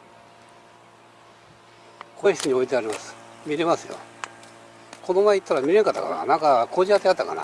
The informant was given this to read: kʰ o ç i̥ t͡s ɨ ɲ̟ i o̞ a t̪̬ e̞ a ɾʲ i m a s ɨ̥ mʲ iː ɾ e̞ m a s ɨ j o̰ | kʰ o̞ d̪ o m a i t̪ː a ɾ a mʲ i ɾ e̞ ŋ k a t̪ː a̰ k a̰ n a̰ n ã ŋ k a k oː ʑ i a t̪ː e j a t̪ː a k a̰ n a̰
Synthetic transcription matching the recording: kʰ o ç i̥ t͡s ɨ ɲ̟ i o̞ i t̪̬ e̞ a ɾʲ i m a s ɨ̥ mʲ i ɾ e̞ m a s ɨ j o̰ | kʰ o̞ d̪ o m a i t̪ː a ɾ a mʲ i ɾ e̞ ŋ k a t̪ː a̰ k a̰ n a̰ n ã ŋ k a k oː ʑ i a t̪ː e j a t̪ː a k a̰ n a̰